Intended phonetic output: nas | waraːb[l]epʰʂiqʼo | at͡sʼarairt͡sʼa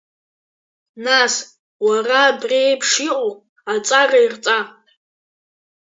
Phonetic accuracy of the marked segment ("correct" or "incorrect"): incorrect